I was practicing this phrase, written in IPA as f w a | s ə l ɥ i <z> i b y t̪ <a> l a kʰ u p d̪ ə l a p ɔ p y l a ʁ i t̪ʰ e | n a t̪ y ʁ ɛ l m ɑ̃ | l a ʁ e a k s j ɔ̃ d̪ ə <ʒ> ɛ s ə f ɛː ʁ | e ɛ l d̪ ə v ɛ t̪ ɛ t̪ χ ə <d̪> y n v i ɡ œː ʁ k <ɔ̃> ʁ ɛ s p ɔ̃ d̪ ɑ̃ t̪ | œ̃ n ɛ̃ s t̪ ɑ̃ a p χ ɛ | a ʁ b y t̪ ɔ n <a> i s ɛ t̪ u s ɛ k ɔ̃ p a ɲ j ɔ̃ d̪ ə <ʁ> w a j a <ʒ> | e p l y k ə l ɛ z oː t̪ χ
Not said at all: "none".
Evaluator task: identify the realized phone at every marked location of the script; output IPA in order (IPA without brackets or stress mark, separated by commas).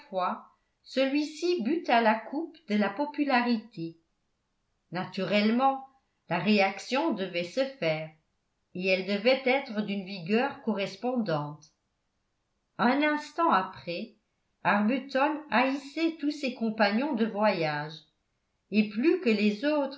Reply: s, a, v, d̪, ɔ, a, v, ʒ